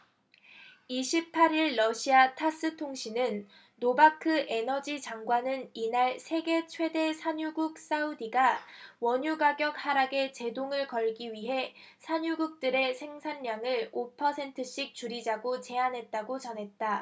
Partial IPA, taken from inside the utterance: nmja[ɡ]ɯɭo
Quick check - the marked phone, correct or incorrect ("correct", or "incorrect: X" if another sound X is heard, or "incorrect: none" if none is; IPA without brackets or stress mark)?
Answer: incorrect: ŋ